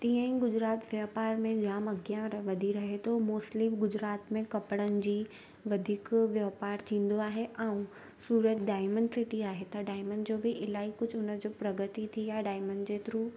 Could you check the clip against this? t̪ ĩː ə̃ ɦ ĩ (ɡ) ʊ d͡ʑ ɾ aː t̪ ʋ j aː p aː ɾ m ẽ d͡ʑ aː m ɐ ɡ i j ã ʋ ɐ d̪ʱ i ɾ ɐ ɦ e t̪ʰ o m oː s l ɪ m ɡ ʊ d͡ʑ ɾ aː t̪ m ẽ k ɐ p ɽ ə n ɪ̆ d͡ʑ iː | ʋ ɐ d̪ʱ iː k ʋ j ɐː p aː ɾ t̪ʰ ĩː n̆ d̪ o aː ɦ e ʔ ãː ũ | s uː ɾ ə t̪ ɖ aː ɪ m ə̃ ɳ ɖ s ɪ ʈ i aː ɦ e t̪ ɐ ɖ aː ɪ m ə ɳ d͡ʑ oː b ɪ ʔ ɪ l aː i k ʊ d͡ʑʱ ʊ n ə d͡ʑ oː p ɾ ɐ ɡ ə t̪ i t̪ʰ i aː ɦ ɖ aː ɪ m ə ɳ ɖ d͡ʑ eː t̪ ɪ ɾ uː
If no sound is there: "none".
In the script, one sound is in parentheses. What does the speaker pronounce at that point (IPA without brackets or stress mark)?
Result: ɡ